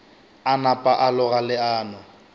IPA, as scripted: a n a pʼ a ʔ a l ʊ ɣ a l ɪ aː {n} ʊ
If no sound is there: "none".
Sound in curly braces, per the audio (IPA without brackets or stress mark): n